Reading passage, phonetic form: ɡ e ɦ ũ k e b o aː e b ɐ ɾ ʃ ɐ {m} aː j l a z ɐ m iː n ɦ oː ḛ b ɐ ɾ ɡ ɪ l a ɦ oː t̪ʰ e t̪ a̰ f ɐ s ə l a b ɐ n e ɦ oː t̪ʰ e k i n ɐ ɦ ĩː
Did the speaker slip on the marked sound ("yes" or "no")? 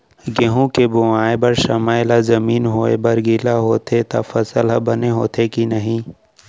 no